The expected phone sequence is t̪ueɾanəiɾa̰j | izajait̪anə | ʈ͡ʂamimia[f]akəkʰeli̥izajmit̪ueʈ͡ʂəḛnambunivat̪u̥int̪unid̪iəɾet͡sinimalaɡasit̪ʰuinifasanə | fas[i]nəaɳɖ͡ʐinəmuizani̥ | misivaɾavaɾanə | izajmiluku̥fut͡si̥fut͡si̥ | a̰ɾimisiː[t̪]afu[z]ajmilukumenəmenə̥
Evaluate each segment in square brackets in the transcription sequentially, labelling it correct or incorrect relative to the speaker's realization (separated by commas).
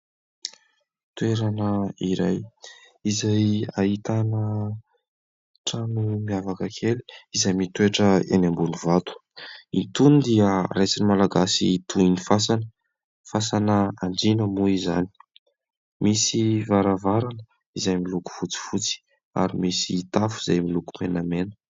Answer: incorrect, incorrect, correct, correct